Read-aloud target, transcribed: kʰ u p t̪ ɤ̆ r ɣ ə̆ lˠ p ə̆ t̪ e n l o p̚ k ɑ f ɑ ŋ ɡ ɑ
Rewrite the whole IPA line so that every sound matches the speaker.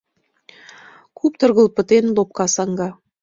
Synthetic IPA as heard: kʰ u p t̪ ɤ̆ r ɣ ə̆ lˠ p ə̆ t̪ e n l o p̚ k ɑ s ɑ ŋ ɡ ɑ